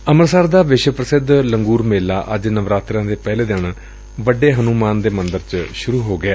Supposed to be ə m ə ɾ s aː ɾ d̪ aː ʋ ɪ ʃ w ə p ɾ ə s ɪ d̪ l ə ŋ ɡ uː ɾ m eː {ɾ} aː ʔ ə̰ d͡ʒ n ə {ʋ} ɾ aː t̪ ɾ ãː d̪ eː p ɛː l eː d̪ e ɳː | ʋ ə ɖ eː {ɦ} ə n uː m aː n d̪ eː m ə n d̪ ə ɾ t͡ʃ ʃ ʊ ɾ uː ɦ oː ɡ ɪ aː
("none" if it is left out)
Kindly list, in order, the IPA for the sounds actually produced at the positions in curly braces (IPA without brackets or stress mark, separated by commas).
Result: l, ʋ, ɦ